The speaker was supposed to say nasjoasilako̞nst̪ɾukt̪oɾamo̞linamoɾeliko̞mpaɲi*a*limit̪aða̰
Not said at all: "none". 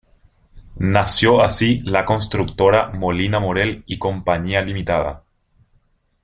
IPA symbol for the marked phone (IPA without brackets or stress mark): a